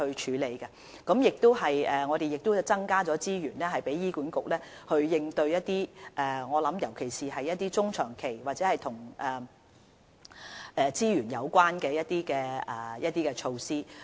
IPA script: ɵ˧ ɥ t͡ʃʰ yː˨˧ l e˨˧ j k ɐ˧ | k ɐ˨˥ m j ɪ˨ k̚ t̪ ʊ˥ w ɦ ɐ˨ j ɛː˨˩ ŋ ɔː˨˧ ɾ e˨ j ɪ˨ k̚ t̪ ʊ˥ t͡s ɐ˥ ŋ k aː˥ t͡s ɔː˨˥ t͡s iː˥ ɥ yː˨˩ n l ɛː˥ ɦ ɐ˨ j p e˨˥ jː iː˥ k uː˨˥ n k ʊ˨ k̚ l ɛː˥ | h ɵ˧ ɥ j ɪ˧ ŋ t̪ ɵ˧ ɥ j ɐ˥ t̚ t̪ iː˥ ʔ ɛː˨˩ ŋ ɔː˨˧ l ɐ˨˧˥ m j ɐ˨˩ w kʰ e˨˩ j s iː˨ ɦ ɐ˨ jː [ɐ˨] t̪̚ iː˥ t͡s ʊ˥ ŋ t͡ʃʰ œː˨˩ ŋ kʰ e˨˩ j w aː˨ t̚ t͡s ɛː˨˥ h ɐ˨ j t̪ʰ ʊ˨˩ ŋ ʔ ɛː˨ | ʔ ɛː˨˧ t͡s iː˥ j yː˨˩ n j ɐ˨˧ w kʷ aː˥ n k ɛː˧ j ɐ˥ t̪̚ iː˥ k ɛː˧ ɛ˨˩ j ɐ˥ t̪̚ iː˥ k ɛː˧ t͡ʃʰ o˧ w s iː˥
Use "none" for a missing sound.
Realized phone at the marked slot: ɐ˥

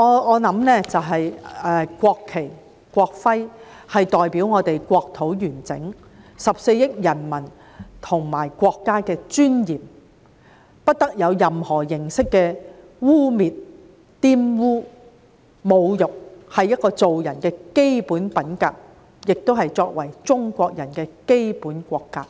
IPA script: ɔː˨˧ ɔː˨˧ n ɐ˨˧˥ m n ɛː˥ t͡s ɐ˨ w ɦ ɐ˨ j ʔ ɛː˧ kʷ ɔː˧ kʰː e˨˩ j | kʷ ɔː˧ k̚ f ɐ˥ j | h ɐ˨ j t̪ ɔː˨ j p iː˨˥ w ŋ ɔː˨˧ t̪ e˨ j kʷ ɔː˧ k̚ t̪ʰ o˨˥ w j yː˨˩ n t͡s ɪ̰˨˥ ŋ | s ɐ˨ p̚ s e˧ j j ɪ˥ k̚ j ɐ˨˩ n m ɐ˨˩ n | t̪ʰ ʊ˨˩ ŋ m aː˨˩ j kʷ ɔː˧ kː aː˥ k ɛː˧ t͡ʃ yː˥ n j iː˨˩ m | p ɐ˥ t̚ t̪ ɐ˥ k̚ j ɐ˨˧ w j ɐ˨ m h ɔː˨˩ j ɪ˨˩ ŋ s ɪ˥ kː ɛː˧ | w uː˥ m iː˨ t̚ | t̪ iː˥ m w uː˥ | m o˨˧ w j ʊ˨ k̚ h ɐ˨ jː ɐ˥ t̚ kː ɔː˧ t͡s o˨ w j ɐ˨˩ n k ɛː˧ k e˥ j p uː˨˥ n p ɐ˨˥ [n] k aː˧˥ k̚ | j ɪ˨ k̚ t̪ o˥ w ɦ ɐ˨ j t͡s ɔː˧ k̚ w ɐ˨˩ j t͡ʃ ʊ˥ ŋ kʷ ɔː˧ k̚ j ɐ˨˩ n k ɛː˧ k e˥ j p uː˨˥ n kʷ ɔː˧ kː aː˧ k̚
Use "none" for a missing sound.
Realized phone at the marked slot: n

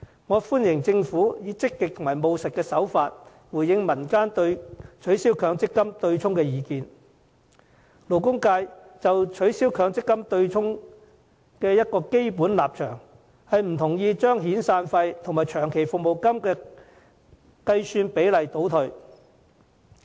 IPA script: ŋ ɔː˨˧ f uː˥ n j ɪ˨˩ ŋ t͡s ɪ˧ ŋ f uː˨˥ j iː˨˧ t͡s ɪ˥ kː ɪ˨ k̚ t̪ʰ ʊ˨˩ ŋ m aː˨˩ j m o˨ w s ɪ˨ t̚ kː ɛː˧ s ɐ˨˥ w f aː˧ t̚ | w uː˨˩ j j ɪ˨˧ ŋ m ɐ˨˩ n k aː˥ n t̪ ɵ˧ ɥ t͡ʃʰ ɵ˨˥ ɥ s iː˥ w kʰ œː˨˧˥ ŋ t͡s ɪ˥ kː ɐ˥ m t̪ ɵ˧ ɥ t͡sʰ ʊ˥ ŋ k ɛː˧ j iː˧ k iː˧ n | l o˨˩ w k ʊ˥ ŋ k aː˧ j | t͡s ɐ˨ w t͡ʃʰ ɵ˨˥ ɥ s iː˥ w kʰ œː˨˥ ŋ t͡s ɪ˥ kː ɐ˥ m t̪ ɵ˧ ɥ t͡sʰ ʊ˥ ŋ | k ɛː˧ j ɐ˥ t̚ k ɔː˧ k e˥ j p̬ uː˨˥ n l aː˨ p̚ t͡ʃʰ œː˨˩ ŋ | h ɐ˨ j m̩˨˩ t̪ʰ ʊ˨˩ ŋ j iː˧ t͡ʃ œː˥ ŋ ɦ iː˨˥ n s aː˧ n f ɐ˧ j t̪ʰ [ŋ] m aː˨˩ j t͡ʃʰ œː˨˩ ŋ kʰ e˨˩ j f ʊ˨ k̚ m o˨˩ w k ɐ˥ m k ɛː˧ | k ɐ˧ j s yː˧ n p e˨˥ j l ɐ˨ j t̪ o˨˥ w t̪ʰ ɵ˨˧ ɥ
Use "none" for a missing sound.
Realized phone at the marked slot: ŋ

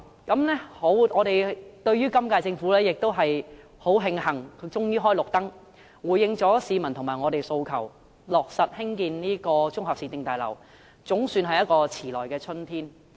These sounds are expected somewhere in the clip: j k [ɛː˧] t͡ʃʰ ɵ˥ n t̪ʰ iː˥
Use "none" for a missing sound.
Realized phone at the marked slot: ɛː˧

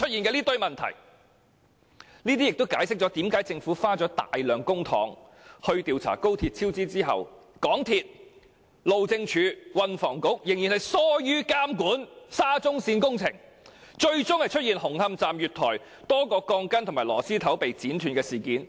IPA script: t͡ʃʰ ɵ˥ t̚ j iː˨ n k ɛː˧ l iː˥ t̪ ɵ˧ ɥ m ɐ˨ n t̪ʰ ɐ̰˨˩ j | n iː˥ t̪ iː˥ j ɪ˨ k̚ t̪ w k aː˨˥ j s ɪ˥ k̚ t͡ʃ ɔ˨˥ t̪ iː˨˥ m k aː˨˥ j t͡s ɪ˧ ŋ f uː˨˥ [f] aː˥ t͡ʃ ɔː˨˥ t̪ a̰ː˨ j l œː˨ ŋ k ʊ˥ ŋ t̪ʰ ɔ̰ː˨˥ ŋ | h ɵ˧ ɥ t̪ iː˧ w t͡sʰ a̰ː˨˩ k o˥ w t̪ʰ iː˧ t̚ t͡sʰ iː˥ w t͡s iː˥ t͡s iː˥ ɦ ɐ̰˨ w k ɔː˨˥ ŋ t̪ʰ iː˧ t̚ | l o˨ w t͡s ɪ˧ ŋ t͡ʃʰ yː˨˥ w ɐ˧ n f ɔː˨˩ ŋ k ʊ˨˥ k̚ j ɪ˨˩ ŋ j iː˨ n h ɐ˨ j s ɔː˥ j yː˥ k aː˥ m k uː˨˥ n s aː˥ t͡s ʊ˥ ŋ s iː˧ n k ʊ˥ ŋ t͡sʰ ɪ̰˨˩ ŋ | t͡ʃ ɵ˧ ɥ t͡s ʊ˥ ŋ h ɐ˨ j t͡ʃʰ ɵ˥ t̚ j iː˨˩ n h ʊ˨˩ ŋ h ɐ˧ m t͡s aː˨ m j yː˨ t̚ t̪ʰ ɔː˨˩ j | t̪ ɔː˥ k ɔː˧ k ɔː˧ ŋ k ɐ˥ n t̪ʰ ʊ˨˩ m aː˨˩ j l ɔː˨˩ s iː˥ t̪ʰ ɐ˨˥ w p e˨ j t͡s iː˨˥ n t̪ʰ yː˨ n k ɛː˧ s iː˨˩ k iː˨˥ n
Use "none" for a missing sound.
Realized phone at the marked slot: f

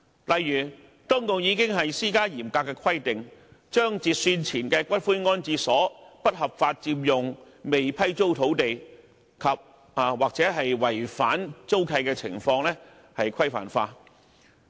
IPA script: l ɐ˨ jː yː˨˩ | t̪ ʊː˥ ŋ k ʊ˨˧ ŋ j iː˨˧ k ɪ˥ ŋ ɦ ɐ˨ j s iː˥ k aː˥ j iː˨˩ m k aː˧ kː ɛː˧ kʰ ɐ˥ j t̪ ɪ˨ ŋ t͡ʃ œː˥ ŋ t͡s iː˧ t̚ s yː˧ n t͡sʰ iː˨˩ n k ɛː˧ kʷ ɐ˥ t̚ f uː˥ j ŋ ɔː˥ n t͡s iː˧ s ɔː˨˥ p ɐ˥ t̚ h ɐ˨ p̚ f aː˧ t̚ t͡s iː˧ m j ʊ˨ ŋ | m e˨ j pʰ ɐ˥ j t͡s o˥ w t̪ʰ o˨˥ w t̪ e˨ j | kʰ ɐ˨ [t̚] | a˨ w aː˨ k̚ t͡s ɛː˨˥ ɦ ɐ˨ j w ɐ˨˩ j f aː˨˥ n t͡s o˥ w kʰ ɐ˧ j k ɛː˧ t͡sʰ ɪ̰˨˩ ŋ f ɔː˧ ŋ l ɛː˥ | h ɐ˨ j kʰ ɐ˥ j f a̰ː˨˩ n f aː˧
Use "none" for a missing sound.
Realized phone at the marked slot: p̚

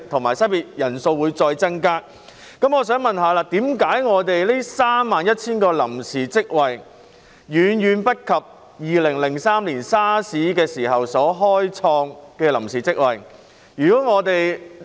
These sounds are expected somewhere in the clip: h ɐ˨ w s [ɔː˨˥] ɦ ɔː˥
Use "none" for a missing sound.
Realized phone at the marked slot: ɔː˨˥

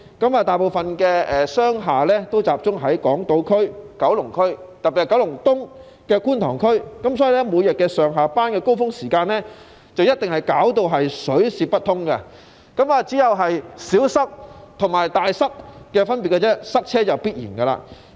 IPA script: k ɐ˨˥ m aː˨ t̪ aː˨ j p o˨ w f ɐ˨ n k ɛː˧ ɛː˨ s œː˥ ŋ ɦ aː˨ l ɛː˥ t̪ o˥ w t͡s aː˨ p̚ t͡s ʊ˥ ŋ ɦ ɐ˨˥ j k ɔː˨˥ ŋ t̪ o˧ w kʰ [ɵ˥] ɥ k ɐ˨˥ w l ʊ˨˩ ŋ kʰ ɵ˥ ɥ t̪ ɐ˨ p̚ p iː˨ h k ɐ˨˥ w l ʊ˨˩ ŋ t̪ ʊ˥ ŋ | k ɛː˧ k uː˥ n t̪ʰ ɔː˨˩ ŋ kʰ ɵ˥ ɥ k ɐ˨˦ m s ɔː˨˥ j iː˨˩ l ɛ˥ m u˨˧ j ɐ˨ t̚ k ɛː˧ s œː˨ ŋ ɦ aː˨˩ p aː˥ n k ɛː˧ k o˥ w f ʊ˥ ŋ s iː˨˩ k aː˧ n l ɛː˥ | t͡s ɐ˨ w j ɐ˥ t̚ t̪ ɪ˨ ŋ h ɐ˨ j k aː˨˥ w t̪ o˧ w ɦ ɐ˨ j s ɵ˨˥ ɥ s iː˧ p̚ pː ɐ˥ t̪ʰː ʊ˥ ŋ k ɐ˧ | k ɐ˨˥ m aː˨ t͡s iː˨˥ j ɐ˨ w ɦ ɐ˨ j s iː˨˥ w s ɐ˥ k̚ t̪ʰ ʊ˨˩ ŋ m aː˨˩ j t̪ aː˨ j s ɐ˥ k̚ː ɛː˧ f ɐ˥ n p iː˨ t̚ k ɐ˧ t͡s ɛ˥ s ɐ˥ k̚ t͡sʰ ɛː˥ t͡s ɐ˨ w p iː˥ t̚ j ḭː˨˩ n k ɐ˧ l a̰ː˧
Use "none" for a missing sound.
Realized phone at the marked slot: ɵ˥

